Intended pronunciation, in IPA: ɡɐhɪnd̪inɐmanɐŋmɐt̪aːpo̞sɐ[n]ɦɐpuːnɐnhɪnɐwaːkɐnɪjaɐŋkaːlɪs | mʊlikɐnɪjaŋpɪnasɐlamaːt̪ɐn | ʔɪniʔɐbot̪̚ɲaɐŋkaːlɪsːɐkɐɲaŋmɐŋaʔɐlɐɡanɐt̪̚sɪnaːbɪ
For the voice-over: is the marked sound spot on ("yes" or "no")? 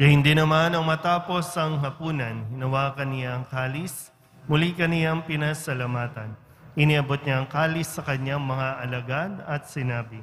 no